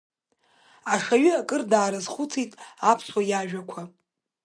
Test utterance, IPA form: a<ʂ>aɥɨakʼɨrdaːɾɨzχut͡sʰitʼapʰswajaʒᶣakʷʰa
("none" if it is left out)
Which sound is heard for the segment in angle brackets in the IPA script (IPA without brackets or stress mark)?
ʂ